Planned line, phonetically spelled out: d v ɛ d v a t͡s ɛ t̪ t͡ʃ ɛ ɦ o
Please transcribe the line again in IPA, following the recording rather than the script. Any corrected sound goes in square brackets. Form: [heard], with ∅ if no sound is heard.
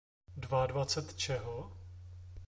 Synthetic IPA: d v [a] d v a t͡s ɛ t̪ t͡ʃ ɛ ɦ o